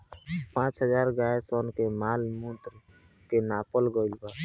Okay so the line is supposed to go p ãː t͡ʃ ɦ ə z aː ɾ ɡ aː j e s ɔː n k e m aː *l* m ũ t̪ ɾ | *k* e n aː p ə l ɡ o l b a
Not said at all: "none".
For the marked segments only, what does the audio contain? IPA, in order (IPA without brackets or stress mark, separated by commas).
l, k